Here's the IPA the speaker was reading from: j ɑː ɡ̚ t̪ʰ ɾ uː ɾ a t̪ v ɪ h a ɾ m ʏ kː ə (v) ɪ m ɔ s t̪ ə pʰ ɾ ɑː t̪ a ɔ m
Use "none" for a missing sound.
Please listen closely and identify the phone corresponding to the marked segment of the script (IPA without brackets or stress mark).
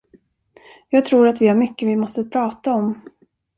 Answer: v